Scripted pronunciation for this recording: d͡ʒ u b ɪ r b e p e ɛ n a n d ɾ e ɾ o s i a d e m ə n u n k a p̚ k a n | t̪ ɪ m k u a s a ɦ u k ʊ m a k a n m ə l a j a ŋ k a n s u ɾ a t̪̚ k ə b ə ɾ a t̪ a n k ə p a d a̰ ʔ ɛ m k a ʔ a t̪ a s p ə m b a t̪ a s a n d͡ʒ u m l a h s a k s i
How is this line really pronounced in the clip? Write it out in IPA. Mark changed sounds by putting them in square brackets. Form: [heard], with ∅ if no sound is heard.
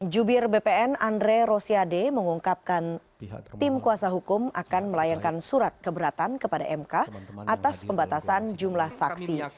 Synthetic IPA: d͡ʒ u b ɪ r b e p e ɛ n a n d ɾ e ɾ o s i a d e m ə [ŋ] u [ŋ] k a p̚ k a n | t̪ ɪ m k u a s a ɦ u k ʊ m a k a n m ə l a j a ŋ k a n s u ɾ a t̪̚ k ə b ə ɾ a t̪ a n k ə p a d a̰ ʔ ɛ m k a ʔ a t̪ a s p ə m b a t̪ a s a n d͡ʒ u m l a h s a k s i